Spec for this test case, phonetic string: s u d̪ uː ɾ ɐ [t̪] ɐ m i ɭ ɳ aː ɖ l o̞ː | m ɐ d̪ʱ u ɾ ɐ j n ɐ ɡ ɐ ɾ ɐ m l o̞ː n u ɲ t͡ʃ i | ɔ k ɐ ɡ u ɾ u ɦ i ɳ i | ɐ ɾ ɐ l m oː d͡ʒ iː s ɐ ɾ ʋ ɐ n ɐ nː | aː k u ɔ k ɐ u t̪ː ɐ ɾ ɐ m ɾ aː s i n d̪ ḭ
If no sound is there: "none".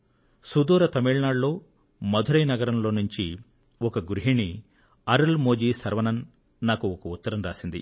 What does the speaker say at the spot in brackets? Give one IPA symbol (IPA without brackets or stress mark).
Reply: t̪